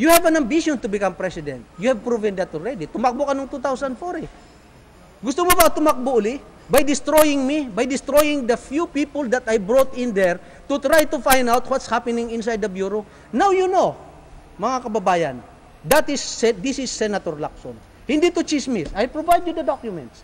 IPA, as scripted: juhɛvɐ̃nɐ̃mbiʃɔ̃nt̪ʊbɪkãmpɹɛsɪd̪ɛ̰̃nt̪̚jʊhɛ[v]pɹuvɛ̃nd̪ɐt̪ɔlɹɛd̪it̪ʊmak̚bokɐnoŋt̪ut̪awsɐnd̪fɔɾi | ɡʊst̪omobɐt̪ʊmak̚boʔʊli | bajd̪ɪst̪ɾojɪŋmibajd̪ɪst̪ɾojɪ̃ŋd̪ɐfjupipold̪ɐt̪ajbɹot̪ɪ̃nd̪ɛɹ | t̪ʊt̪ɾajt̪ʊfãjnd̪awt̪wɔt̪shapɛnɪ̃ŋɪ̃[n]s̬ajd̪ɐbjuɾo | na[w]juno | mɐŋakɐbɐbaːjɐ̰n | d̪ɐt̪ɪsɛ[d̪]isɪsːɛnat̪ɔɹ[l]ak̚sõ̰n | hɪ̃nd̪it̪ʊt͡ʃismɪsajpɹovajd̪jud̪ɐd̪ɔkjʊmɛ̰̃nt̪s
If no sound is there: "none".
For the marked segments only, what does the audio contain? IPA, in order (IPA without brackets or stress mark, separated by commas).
v, n, w, d̪, l